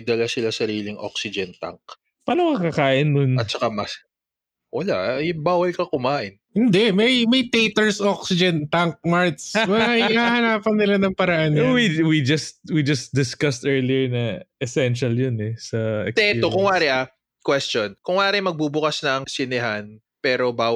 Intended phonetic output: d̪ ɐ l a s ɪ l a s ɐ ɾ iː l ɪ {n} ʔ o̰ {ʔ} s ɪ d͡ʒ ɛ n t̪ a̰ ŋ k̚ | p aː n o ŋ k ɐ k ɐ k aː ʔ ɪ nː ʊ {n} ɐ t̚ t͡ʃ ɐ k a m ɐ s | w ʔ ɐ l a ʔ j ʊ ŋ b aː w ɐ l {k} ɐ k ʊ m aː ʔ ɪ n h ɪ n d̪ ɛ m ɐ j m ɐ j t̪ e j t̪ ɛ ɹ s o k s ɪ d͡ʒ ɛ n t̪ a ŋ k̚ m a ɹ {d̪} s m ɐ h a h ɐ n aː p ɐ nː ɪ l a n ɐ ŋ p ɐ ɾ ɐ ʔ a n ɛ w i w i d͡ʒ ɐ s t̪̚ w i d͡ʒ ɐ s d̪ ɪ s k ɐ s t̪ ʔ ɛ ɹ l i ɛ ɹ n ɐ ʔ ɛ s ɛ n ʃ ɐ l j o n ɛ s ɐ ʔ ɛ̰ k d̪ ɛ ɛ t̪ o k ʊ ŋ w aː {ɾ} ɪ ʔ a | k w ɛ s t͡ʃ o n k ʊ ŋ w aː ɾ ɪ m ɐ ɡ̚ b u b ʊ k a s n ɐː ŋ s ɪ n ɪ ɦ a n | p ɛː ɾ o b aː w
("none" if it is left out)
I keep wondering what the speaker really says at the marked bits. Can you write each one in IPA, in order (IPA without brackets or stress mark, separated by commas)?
ŋ, k, n, k, t̪, ɾ